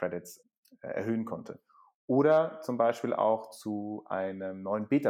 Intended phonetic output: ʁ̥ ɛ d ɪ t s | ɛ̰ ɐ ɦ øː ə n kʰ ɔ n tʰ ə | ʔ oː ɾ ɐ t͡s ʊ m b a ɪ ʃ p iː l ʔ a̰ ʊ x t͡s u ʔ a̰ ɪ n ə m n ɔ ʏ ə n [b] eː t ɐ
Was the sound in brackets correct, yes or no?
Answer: yes